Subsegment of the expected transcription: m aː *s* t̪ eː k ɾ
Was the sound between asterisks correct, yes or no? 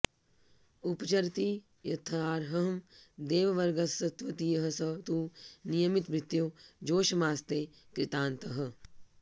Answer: yes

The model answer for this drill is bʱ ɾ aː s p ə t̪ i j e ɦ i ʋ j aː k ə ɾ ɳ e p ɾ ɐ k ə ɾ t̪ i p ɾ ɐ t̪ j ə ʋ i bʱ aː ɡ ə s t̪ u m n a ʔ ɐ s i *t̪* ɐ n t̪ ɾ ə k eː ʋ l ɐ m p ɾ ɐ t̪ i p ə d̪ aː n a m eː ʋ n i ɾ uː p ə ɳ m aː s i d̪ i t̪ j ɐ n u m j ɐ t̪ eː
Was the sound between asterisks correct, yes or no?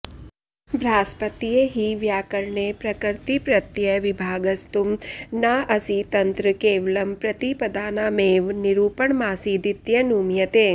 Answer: yes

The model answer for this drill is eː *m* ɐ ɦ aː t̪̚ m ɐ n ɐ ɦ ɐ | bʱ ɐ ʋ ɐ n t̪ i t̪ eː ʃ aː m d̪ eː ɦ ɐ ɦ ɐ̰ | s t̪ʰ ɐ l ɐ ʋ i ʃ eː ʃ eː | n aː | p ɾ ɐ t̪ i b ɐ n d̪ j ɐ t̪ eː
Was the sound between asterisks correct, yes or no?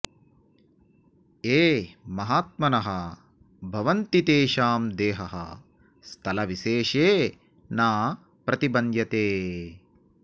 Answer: yes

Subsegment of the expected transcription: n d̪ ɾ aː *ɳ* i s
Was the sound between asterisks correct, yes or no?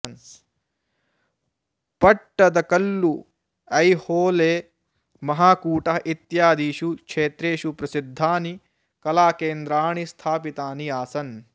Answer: yes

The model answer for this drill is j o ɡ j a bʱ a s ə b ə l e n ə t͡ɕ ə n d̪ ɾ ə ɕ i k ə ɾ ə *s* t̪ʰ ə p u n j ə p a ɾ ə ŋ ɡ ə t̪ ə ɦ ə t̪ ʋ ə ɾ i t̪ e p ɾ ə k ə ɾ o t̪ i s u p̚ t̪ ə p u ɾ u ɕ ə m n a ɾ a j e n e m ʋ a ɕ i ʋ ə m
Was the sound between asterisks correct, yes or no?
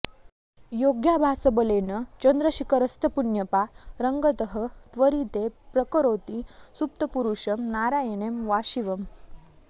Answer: yes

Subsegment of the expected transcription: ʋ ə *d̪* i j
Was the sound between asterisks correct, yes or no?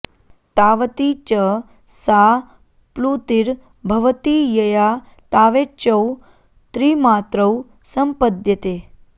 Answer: no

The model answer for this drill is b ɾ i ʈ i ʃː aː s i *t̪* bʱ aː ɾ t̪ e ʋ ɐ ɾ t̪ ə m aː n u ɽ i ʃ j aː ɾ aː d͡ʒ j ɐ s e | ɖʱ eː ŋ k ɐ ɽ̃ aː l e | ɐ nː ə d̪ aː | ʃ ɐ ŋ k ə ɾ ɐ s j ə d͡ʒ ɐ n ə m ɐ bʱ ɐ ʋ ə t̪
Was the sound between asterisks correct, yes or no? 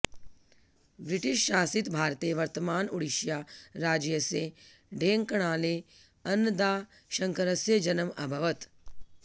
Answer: yes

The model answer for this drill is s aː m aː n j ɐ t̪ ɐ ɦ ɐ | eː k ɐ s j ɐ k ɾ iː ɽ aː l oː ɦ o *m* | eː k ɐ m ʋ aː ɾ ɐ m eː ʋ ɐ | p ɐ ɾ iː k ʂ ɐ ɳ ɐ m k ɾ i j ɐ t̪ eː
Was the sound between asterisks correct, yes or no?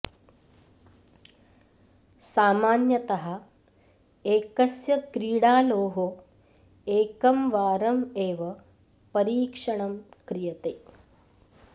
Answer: no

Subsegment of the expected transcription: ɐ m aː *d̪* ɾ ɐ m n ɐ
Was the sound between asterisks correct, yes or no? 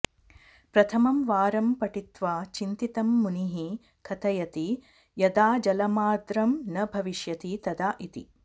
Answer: yes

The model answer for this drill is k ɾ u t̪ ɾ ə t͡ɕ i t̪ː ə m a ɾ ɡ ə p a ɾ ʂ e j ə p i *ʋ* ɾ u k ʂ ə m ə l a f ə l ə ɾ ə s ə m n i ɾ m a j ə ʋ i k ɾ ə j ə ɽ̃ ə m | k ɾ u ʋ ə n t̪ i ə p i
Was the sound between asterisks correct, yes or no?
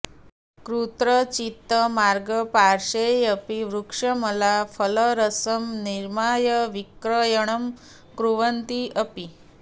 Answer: yes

